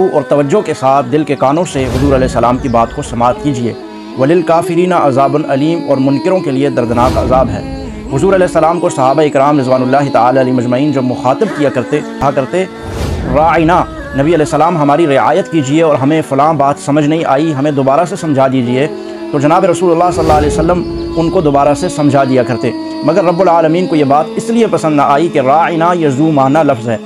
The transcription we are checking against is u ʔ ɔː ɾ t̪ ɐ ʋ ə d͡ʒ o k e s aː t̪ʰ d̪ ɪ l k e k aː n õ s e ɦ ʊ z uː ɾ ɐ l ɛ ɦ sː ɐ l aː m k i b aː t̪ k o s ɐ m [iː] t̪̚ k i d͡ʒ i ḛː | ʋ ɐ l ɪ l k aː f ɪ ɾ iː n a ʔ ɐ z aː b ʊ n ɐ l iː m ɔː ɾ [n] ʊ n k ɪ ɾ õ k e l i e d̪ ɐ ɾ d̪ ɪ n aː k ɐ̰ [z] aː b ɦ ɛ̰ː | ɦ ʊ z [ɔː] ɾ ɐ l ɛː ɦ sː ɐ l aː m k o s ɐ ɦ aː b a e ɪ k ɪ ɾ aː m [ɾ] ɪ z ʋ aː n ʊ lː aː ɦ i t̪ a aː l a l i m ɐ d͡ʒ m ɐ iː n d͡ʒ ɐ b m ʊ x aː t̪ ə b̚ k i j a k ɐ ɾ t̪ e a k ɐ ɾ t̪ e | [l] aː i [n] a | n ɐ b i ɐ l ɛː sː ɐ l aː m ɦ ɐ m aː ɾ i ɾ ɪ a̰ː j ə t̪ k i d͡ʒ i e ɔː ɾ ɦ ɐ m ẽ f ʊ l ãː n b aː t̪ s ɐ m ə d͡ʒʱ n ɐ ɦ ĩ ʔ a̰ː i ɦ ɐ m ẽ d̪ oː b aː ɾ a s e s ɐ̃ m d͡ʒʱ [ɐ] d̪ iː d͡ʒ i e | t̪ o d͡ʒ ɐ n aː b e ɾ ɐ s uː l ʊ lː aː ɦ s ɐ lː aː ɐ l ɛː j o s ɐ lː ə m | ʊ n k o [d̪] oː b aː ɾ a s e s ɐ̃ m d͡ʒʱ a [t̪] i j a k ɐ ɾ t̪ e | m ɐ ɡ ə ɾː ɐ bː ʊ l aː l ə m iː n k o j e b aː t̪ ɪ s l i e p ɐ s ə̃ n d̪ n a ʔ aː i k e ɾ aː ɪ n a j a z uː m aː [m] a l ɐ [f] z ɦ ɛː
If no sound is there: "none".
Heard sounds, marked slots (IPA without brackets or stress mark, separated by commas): aː, m, z, uː, ɾ, ɾ, n, a, d̪, d̪, n, f